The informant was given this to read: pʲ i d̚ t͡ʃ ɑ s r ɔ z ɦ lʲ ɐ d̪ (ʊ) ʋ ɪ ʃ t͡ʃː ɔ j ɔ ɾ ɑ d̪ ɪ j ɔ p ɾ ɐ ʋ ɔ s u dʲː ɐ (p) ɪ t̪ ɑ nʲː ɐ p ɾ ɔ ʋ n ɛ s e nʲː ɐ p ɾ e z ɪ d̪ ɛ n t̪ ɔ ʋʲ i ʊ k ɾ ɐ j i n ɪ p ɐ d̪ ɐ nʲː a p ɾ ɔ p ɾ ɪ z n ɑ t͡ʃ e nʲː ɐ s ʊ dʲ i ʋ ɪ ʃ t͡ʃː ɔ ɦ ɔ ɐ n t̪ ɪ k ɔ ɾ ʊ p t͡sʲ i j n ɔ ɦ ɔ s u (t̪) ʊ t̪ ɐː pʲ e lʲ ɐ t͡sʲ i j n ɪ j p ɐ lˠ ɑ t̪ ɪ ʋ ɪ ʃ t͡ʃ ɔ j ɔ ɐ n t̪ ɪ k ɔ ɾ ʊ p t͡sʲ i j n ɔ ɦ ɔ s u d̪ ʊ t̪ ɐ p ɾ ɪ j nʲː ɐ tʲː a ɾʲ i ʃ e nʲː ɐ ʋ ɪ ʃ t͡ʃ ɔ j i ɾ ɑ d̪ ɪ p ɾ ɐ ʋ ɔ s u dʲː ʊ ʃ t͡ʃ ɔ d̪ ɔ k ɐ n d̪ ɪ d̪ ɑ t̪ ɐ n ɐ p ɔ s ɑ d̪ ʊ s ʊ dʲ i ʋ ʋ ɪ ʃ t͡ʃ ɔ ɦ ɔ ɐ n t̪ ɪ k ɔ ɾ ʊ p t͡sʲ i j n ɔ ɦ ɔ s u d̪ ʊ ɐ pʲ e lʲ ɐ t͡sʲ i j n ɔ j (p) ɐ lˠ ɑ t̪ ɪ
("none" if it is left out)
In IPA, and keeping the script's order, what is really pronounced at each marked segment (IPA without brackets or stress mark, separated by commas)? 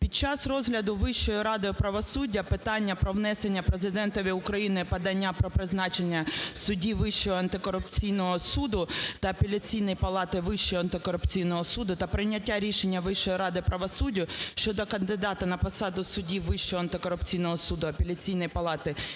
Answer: ʊ, p, d̪, p